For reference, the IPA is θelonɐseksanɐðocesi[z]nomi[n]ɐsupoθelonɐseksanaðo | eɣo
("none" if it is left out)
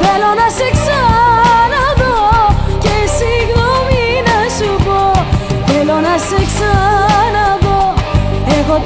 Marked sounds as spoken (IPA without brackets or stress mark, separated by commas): ɣ, n